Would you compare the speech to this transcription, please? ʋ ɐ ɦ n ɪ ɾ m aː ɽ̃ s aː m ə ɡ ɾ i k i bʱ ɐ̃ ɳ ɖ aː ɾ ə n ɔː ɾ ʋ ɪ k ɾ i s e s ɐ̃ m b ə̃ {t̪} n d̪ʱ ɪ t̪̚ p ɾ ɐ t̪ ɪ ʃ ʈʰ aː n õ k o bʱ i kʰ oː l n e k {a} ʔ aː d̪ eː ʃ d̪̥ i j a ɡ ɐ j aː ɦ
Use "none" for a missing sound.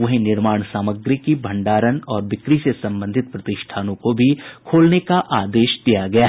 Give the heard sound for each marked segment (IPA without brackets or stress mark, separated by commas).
none, a